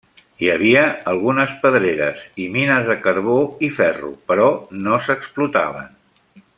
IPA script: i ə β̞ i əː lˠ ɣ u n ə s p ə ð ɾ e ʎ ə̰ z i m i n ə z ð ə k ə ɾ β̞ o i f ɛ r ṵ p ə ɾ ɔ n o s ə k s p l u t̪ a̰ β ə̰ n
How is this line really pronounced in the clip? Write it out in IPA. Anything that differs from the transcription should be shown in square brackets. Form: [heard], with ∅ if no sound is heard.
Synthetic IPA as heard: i ə β̞ i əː lˠ ɣ u n ə s p ə ð ɾ e [ɾ] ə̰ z i m i n ə z ð ə k ə ɾ β̞ o i f ɛ r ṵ p ə ɾ ɔ n o s ə k s p l u t̪ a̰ β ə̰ n